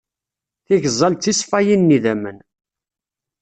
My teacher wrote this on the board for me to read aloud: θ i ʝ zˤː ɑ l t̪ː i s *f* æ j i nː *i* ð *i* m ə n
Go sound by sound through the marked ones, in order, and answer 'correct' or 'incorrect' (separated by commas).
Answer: correct, correct, incorrect